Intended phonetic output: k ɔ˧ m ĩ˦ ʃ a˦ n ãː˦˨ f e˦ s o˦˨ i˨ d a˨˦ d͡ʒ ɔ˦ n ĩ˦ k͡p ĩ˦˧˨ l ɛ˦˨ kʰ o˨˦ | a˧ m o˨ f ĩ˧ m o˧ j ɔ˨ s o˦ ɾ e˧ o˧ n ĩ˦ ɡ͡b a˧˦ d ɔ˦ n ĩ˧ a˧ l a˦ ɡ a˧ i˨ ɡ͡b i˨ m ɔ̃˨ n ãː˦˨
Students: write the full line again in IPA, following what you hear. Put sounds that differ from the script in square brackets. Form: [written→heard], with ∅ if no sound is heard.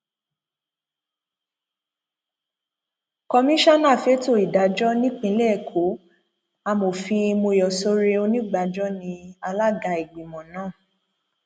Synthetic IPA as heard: k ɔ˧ m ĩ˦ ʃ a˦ n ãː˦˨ f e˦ [s→t] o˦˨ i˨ d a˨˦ d͡ʒ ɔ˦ n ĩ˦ k͡p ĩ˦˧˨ l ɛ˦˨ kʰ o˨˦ | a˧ m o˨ f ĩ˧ m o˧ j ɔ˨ s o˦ ɾ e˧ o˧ n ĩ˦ ɡ͡b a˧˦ [d→d͡ʒ] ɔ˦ n ĩ˧ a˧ l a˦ ɡ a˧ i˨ ɡ͡b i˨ m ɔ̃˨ n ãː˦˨